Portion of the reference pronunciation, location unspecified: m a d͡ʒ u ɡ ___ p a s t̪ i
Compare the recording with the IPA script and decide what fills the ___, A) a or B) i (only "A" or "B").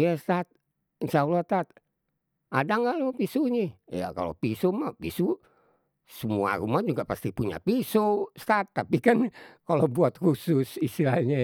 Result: A